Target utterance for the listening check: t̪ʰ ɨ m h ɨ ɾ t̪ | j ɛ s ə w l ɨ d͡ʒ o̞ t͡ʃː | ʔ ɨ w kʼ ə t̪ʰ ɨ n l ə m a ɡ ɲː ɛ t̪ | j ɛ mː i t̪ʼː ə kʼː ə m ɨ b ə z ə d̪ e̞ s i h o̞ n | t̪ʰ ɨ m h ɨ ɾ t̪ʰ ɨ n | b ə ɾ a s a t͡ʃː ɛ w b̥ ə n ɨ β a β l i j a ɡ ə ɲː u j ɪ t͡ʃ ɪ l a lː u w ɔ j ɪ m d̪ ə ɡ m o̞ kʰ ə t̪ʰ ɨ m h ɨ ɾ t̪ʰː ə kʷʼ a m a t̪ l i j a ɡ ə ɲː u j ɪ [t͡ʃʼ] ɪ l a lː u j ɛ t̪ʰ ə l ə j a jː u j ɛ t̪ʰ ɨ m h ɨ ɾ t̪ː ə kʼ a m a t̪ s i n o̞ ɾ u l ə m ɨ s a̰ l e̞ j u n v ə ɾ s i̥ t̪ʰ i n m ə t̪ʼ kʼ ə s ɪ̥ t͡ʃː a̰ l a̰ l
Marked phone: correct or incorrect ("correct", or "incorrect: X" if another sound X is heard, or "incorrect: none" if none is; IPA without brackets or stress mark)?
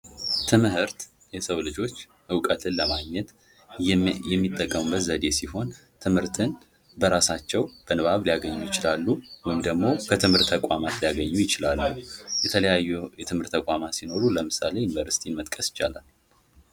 incorrect: t͡ʃ